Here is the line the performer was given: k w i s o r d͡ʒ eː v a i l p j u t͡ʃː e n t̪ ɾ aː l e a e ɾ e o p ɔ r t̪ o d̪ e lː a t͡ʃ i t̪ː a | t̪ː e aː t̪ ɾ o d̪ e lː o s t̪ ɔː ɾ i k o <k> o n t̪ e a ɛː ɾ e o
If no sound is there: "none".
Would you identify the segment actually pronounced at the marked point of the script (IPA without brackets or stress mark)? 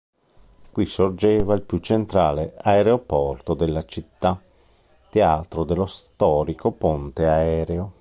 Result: p